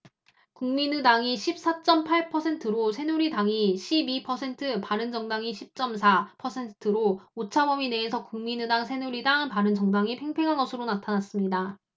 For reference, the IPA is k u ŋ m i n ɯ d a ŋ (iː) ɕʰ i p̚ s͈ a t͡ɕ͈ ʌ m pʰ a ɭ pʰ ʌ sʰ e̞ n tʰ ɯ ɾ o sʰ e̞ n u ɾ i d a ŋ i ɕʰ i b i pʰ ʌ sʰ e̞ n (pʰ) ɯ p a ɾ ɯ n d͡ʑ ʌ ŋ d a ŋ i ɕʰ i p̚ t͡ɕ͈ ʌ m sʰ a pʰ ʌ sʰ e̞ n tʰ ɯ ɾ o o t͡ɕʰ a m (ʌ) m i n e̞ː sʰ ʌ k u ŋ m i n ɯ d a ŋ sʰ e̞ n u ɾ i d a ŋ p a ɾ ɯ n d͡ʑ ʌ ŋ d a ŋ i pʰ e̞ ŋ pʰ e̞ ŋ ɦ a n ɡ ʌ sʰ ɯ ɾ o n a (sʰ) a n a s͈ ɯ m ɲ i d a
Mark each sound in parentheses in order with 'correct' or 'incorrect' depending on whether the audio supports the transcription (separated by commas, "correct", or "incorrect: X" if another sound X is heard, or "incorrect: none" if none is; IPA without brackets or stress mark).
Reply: incorrect: i, incorrect: tʰ, correct, incorrect: tʰ